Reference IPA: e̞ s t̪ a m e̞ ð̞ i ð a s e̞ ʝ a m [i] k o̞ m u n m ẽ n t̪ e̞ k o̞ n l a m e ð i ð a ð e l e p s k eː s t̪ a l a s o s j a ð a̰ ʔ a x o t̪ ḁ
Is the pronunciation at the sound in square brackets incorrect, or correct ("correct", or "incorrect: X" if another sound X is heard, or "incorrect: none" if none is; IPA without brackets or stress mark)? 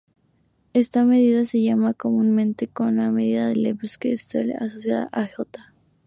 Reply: incorrect: a